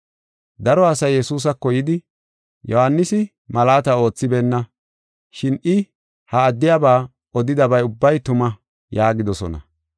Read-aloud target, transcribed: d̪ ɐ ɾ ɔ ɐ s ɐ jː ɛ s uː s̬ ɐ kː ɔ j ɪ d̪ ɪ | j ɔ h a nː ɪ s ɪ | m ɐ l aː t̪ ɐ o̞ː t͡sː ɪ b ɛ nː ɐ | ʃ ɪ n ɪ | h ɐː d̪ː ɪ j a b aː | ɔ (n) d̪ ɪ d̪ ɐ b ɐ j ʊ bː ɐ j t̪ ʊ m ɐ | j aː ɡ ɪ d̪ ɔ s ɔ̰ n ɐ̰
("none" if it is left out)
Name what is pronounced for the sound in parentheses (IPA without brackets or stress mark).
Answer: none